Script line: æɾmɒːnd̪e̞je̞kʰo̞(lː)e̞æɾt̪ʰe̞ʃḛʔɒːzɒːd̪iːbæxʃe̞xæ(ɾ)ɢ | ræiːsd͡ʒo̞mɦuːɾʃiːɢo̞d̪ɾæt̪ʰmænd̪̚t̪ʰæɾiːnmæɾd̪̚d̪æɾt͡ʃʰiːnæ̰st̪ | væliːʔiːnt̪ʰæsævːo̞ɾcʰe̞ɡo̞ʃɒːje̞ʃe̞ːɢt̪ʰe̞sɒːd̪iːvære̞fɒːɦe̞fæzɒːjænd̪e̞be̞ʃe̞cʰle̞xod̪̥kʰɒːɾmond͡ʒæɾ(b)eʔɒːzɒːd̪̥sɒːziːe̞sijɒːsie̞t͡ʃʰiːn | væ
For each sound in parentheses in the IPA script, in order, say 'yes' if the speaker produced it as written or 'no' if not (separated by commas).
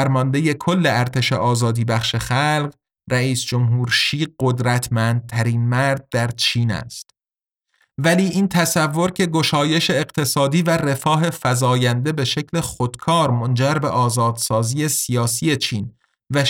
yes, no, yes